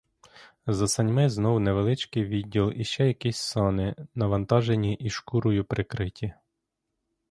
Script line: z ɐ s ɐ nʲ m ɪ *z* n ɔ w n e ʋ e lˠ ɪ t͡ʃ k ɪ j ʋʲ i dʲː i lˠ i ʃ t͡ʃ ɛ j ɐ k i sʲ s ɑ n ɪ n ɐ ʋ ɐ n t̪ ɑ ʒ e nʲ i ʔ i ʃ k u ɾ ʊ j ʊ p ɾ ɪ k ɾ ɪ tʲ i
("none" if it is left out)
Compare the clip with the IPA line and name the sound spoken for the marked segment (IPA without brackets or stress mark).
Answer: z